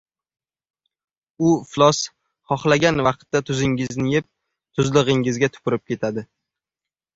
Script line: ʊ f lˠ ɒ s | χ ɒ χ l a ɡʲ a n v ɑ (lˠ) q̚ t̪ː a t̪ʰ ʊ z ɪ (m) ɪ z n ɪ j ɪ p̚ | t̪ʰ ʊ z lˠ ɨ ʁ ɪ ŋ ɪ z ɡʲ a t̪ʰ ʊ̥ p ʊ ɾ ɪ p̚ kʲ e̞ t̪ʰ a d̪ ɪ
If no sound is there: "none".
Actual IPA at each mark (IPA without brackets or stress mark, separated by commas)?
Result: none, ŋ